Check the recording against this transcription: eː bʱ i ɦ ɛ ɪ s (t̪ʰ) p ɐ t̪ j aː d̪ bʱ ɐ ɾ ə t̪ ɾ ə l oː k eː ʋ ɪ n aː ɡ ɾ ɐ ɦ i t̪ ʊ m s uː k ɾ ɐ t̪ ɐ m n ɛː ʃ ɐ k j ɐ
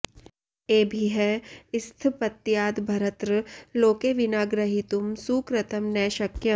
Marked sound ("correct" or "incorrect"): correct